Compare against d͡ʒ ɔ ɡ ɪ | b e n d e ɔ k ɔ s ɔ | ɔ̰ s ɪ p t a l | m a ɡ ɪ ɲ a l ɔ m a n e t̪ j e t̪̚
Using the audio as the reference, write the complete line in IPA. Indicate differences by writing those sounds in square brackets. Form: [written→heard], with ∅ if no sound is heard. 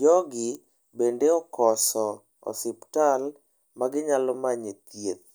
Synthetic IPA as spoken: d͡ʒ ɔ ɡ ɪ | b e n d e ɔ k ɔ s ɔ | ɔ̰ s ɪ p t a l | m a ɡ ɪ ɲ a l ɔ m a [n→ɲ] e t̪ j e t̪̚

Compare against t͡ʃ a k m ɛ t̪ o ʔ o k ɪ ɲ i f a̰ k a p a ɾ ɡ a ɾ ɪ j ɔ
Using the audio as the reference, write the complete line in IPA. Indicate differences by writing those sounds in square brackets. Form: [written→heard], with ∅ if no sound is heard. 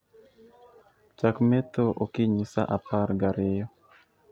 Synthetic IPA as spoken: t͡ʃ a k m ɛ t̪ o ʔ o k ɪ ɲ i [f→s] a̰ [k→ʔ] a p a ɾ ɡ a ɾ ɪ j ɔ

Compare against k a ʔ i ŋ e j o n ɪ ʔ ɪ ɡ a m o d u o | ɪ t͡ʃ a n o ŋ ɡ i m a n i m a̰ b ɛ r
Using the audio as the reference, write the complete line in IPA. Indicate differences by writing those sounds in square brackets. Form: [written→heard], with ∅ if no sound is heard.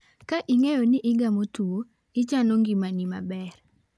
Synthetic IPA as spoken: k a ʔ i ŋ e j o n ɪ ʔ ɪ ɡ a m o [d→t] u o | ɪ t͡ʃ a n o ŋ ɡ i m a n i m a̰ b ɛ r

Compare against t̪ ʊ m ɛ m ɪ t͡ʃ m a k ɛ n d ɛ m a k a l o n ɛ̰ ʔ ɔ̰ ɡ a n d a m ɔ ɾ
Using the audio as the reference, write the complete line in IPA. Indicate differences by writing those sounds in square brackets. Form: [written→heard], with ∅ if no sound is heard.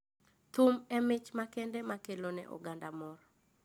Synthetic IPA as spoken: t̪ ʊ m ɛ m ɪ t͡ʃ m a k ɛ n d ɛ m a k [a→e] l o n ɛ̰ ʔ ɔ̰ ɡ a n d a m ɔ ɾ

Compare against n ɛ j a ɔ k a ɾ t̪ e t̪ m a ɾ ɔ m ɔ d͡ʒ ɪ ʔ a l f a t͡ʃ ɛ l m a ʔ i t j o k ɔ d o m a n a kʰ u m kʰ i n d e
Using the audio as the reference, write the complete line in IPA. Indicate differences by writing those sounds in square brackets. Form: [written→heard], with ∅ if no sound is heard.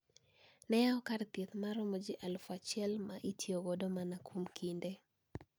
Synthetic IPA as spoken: n ɛ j a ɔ k a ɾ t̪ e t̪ m a ɾ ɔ m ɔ d͡ʒ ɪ ʔ a l f a t͡ʃ ɛ l m a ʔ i t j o [k→ɡ] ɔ d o m a n a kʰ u m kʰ i n d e

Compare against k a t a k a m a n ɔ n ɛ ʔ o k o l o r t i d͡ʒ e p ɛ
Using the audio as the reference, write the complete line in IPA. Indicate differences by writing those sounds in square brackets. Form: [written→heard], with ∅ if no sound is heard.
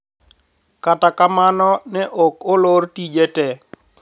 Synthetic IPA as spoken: k a t a k a m a n ɔ n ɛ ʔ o k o l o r t i d͡ʒ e [p→t] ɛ

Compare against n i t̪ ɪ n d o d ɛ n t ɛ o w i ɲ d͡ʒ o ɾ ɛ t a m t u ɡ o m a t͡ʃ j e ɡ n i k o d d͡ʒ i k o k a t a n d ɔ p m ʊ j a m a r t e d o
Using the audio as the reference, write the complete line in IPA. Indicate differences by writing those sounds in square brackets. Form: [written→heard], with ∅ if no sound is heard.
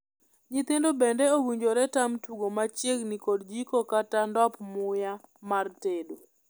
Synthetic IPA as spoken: [n→ɲ] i t̪ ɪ n d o [d→b] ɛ n [t→d] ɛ o w i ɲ d͡ʒ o ɾ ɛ t a m t u ɡ o m a t͡ʃ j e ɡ n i k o d d͡ʒ i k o k a t a n d ɔ p m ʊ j a m a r t e d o

